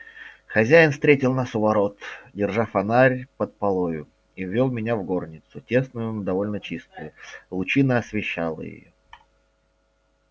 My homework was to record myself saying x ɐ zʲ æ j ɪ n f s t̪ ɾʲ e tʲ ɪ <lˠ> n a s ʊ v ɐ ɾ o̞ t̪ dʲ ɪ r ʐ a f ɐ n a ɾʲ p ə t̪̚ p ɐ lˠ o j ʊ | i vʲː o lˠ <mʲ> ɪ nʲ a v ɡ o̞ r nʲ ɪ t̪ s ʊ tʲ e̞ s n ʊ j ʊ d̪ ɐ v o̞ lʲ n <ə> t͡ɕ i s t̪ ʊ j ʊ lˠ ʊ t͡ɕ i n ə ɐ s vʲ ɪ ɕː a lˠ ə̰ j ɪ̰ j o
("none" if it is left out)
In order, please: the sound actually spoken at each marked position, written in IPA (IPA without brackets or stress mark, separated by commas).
lˠ, mʲ, ə